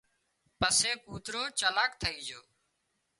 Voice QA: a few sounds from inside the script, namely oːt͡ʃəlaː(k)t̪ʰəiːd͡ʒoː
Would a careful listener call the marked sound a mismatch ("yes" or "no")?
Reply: no